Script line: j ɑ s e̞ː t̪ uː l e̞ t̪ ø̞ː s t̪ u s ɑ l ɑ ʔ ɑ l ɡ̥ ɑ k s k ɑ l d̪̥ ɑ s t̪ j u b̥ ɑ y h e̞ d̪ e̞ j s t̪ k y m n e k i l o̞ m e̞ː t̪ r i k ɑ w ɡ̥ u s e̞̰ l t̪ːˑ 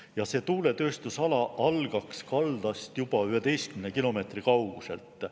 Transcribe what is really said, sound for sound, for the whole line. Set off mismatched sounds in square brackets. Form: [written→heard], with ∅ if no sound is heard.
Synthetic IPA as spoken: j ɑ s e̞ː t̪ uː l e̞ t̪ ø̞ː s t̪ u s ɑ l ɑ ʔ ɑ l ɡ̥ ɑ k s k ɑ l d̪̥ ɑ s t̪ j u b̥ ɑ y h e̞ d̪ e̞ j s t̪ k y m n e k i l o̞ m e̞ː t̪ r i k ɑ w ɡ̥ u s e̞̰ l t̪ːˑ